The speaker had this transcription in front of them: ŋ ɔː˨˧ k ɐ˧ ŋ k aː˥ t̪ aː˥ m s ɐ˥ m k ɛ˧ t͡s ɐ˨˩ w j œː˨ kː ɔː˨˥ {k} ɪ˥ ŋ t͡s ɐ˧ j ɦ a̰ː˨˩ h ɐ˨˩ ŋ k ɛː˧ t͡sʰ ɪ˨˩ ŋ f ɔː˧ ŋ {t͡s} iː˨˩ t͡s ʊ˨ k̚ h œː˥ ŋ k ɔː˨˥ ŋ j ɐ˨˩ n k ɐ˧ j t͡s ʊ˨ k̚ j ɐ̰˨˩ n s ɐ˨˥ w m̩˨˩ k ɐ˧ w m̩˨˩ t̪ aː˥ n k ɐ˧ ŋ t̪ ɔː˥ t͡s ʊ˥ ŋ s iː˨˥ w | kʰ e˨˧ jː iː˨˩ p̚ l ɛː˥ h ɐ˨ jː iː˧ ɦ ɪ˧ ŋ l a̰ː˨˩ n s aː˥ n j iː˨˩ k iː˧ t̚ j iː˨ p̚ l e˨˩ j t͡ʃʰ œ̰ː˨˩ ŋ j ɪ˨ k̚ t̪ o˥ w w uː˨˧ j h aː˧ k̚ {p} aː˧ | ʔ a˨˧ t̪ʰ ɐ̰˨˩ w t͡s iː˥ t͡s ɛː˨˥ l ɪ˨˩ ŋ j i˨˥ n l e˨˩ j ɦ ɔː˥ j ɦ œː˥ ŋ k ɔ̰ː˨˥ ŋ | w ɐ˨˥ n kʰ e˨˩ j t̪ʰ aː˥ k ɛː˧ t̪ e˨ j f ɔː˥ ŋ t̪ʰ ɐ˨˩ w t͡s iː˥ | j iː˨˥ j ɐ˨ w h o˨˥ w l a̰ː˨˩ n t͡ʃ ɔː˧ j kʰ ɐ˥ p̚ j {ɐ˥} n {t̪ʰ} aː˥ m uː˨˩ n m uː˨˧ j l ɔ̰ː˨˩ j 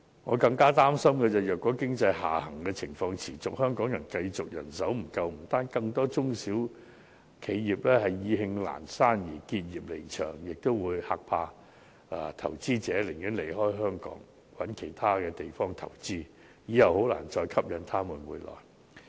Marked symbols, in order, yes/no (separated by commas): yes, no, no, no, yes